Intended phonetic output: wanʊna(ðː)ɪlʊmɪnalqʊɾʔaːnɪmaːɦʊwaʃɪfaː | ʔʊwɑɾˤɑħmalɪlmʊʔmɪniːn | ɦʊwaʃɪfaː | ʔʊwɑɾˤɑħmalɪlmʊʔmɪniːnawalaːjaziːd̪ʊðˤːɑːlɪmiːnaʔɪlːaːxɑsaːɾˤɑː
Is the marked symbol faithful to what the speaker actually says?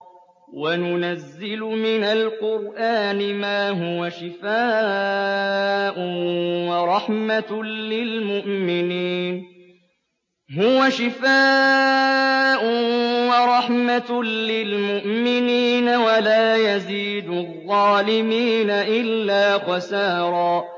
no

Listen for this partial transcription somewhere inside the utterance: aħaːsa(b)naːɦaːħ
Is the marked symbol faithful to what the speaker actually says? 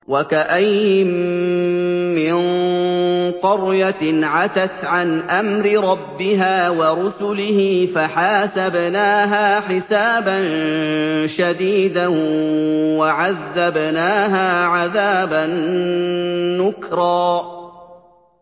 yes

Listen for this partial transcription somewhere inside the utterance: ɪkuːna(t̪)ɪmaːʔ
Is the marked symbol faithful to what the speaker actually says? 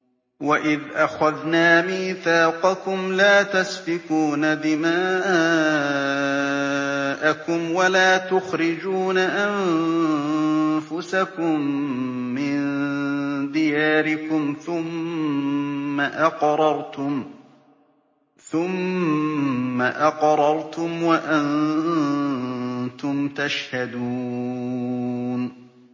no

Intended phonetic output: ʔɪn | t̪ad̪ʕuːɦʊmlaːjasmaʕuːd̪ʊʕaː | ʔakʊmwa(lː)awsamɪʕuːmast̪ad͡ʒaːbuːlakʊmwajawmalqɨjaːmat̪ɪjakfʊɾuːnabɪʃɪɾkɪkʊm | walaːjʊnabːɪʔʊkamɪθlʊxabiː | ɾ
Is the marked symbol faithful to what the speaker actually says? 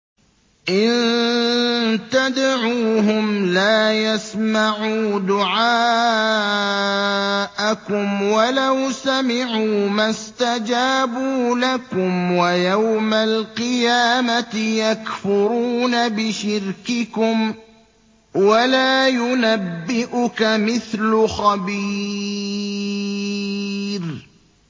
no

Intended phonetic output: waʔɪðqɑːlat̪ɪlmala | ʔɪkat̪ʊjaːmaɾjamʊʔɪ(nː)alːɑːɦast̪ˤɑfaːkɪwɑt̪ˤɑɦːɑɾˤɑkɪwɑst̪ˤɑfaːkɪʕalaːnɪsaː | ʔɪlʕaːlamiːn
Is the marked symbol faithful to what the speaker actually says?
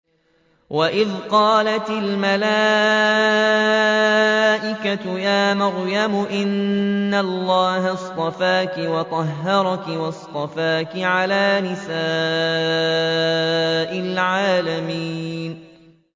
yes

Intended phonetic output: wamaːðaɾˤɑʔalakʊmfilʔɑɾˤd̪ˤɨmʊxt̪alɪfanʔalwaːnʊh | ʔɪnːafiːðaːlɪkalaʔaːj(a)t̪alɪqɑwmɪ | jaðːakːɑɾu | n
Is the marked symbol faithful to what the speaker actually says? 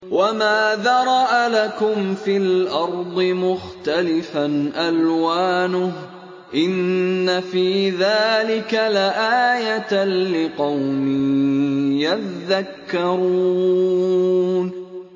yes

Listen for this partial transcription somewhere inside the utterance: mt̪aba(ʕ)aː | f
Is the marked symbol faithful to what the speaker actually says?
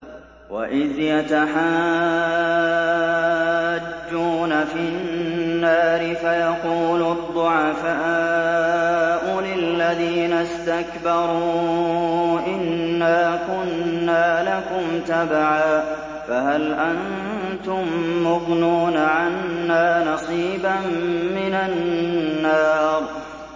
yes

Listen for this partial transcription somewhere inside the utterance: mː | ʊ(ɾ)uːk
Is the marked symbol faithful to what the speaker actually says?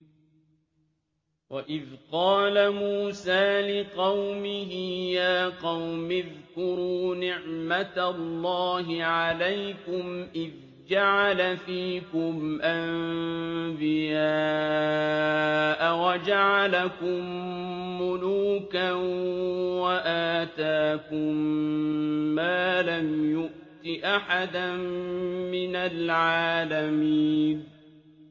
no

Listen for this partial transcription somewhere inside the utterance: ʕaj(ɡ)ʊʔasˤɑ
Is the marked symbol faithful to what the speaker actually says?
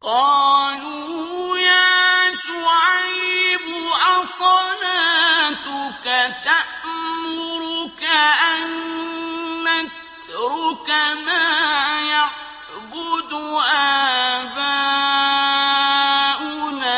no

